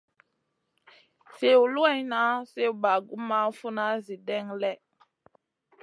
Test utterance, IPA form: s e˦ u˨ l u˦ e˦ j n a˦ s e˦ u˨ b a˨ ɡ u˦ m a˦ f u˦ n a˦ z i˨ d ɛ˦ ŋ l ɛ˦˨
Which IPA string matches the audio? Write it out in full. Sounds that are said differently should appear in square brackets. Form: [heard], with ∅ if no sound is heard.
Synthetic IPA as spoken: s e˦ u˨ l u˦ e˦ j n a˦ s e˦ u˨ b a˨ ɡ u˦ m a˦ f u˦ n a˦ z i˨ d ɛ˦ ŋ l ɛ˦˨